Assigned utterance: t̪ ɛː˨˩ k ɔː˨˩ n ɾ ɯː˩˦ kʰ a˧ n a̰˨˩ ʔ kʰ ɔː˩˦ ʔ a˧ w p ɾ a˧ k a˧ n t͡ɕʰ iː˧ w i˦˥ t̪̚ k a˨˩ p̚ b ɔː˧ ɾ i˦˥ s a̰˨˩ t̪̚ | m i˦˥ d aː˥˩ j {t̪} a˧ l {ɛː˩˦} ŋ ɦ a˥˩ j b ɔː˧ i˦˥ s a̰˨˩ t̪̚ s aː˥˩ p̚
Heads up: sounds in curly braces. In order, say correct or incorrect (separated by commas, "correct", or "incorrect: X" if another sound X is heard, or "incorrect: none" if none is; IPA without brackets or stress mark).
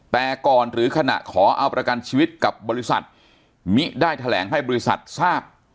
incorrect: t̪ʰ, correct